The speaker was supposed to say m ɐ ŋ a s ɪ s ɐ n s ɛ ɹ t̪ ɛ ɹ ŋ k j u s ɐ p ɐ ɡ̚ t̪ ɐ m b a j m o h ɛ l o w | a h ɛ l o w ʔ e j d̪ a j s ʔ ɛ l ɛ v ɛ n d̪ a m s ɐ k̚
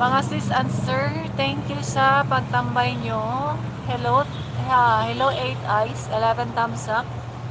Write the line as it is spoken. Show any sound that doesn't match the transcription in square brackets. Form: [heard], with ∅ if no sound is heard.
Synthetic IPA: m ɐ ŋ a s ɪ s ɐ n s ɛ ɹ t̪ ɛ [∅] ŋ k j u s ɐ p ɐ ɡ̚ t̪ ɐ m b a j [ɲ] o h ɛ l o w | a h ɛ l o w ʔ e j [t̪] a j s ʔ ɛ l ɛ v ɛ n [t̪] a m s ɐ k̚